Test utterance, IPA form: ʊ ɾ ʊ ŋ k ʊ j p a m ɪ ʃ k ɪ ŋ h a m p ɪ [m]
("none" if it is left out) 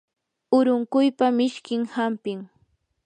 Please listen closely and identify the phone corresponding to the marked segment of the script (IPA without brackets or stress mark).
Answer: ŋ